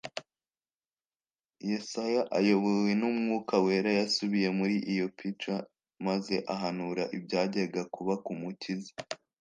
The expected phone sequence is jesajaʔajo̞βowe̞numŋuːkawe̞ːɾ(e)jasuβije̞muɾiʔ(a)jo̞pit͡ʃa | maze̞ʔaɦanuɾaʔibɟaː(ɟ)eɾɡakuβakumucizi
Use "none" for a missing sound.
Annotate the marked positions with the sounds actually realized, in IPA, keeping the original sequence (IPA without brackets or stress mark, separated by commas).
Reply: a, i, ɟ